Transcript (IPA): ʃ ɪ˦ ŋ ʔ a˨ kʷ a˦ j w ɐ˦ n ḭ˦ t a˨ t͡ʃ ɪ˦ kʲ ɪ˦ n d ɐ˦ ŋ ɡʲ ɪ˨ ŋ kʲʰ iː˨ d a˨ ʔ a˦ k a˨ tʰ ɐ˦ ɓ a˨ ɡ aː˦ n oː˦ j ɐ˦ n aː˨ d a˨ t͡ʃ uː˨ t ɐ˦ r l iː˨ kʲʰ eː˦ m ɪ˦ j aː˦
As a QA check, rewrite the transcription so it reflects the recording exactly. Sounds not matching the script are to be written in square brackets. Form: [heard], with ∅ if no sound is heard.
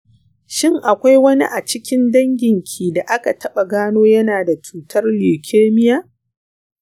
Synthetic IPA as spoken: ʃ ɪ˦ ŋ ʔ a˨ kʷ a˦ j w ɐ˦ n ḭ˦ [ʔ] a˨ t͡ʃ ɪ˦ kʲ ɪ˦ n d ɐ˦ ŋ ɡʲ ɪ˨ ŋ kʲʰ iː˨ d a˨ ʔ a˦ k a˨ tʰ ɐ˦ ɓ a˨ ɡ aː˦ n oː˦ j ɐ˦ n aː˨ d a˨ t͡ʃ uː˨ t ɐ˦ r l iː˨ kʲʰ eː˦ m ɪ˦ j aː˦